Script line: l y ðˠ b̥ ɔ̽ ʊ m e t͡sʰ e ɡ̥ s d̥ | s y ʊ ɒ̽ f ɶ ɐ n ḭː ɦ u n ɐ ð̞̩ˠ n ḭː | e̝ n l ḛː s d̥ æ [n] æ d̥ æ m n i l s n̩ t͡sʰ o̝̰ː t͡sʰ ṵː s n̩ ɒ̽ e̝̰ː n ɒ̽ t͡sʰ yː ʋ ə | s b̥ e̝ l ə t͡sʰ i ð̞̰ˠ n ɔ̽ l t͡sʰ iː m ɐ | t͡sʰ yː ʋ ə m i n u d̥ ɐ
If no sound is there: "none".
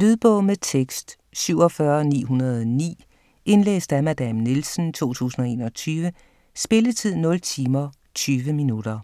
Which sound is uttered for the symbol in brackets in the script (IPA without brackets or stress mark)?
m